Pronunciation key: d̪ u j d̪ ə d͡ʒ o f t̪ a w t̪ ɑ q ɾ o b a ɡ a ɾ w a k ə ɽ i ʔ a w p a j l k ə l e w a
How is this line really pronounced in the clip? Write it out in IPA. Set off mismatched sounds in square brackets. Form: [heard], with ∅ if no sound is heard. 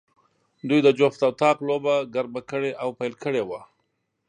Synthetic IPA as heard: d̪ u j d̪ ə d͡ʒ o f t̪ a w t̪ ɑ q [l] o b a ɡ a ɾ [b] a k ə ɽ [e] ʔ a w p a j l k ə [ɽ] e w a